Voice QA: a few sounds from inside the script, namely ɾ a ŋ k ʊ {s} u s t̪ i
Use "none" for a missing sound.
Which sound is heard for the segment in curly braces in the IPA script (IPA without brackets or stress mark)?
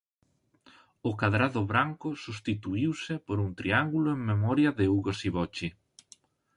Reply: s